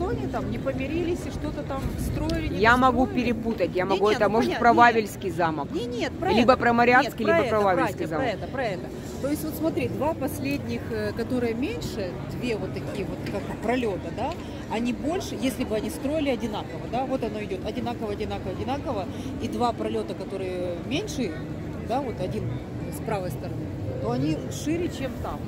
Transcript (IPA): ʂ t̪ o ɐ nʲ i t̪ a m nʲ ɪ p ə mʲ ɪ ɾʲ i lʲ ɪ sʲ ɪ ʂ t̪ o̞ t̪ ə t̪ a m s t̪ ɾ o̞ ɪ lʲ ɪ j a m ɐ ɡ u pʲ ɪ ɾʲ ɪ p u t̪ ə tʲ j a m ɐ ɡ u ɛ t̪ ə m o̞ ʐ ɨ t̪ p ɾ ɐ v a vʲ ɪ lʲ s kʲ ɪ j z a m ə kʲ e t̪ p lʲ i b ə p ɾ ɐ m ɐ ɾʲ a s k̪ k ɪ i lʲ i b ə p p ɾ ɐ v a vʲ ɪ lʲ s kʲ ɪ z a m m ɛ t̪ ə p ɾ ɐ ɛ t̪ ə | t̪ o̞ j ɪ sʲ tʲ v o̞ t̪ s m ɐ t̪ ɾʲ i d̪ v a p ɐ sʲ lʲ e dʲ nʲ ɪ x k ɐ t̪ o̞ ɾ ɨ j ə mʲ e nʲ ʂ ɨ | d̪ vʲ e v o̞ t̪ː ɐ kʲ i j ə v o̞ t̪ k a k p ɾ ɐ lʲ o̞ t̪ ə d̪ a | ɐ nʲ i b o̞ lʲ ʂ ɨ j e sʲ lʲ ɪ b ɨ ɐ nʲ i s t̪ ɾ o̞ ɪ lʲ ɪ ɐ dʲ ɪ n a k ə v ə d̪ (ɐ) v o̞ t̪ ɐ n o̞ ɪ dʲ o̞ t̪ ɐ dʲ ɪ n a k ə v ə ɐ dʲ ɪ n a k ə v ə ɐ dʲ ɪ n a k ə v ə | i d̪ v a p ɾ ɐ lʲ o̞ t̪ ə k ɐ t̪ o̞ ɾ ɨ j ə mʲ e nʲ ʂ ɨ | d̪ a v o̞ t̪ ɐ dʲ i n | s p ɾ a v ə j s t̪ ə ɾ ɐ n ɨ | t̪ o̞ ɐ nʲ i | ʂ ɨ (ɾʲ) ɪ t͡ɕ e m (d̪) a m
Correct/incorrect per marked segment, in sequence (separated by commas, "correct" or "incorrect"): incorrect, correct, incorrect